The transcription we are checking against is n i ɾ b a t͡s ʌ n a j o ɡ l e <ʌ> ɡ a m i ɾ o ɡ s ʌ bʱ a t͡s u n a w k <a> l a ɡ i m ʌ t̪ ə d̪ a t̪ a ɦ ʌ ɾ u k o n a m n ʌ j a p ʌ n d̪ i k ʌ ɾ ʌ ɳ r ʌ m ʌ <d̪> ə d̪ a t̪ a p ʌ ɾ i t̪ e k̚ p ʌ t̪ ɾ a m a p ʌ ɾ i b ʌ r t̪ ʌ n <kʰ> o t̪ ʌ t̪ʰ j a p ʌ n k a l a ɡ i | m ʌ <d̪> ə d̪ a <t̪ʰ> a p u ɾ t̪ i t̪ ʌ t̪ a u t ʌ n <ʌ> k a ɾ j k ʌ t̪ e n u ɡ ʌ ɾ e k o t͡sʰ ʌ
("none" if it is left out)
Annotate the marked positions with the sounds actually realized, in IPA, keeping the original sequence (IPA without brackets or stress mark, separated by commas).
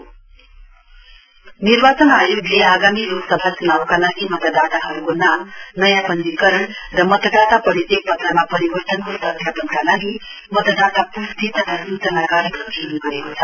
a, a, t̪, k, t̪, t̪, a